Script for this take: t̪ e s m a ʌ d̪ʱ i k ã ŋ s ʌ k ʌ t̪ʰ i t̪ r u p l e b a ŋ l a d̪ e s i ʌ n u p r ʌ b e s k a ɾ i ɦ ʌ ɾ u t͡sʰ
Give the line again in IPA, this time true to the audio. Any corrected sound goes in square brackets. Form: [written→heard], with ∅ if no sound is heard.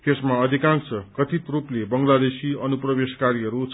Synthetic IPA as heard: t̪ e s m a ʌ d̪ʱ i k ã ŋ s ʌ k ʌ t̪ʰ i t̪ r u p l e b [a→ʌ] ŋ l a d̪ e s i ʌ n u p r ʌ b e s k a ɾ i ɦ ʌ ɾ u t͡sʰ